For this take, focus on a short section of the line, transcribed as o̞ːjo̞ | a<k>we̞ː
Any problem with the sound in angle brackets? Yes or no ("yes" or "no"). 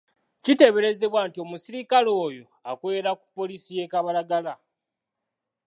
no